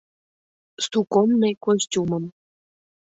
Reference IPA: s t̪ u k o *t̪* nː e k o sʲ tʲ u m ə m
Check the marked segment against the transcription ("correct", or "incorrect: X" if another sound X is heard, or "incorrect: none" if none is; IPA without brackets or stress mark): incorrect: none